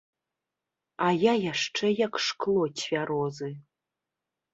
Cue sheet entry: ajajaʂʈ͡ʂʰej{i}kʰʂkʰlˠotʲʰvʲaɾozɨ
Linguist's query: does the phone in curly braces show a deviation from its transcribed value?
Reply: yes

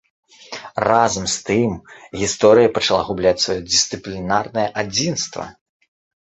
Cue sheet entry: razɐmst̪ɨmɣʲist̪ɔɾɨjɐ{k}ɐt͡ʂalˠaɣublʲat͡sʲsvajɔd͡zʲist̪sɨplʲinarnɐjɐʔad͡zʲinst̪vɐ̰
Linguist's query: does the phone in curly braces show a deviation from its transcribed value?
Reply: yes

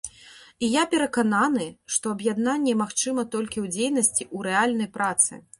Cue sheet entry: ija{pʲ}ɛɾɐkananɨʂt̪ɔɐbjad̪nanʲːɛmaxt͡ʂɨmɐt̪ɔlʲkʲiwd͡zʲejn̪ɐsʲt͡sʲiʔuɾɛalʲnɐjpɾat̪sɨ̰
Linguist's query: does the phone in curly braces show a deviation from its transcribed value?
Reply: no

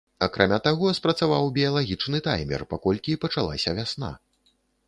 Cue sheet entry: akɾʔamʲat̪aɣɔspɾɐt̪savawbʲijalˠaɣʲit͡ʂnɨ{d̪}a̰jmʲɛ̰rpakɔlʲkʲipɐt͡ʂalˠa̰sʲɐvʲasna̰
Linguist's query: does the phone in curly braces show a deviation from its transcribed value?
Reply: yes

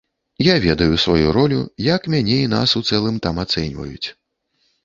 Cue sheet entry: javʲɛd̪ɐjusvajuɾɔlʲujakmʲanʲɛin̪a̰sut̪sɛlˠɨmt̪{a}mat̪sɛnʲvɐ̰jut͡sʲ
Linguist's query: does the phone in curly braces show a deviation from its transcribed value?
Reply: no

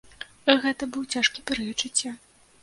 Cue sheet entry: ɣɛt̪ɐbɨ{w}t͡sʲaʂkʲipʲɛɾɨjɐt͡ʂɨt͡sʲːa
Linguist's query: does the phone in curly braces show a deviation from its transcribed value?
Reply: no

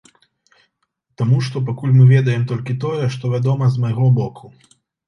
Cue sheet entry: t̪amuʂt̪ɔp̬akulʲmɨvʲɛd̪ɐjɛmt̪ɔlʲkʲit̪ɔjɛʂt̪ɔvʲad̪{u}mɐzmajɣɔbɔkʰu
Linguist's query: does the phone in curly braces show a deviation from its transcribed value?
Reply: yes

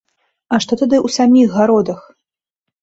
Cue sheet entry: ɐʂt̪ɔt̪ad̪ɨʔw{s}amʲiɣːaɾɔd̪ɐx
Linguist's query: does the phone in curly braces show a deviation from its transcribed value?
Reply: no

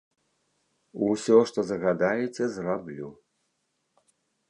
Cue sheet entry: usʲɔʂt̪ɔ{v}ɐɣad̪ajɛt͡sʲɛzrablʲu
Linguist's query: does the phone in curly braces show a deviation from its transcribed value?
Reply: yes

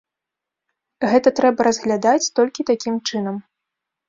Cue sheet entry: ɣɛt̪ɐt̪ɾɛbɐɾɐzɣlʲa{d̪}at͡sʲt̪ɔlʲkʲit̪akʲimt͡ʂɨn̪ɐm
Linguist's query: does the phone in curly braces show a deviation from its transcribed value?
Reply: no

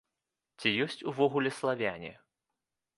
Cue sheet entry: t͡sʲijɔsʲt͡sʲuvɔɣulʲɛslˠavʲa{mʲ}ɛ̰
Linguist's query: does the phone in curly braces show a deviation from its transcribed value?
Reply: yes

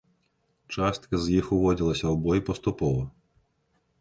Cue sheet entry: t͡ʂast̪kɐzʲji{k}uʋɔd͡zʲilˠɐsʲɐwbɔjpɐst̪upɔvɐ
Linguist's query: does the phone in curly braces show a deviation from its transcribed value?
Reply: yes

